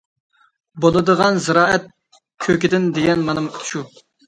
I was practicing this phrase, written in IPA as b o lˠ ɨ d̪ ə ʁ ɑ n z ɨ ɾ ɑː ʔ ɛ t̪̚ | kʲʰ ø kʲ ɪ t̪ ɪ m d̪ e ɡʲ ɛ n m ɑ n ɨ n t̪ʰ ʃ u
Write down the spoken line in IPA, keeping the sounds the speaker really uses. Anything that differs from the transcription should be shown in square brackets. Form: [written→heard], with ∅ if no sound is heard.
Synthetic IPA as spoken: b o lˠ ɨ d̪ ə ʁ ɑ n z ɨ ɾ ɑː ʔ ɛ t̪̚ | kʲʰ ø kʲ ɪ [t̪→d̪] ɪ [m→n] d̪ e ɡʲ ɛ n m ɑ n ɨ [n→m] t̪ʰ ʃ u